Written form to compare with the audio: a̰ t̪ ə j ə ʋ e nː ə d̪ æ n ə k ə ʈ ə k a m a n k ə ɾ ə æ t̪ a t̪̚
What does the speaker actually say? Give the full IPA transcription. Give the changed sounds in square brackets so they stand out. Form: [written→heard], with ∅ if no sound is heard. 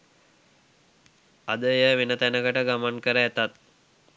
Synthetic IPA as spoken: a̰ [t̪→d̪] ə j ə ʋ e [nː→n] ə [d̪→t̪] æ n ə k ə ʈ ə [k→ɡ] a m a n k ə ɾ ə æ t̪ a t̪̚